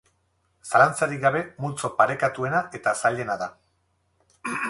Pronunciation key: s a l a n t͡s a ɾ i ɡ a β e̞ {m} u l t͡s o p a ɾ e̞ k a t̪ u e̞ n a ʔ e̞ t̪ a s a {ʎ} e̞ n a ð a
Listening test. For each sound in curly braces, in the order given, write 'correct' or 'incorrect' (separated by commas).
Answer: correct, correct